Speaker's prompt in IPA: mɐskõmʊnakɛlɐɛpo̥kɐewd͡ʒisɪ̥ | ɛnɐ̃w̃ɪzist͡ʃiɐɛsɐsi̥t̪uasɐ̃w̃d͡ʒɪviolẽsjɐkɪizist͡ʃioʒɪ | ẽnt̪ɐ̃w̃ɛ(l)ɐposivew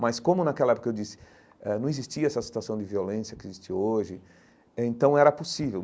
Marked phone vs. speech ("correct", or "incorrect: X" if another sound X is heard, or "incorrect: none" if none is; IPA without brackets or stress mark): incorrect: ɾ